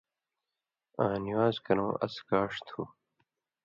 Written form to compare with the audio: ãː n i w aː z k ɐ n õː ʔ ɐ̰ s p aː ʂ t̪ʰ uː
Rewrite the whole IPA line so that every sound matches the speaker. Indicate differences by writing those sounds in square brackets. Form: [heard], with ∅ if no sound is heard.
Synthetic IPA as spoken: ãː n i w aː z k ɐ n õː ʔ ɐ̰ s [k] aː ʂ t̪ʰ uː